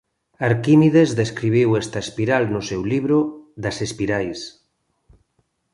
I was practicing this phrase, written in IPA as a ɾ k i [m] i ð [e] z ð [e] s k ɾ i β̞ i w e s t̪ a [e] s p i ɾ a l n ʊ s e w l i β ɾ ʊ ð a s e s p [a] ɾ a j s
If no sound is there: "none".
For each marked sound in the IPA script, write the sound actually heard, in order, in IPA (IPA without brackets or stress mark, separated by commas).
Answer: m, e, e, e, i